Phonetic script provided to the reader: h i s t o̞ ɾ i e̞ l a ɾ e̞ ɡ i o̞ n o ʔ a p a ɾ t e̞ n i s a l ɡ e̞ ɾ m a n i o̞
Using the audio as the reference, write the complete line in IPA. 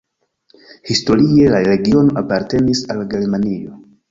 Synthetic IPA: h i s t o̞ ɾ i e̞ l a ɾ e̞ ɡ i o̞ n o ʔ a p a ɾ t e̞ n i s a l ɡ e̞ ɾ m a n i o̞